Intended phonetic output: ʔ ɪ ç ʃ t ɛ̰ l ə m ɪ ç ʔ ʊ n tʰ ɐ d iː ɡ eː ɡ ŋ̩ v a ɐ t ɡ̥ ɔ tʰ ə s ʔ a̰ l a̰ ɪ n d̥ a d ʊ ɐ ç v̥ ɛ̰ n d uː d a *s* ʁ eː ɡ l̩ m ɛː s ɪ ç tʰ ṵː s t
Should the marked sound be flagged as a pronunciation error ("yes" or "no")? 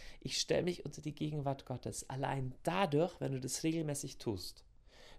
no